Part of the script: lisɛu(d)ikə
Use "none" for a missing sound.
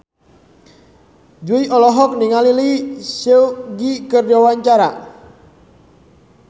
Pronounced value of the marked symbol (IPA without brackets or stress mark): ɡ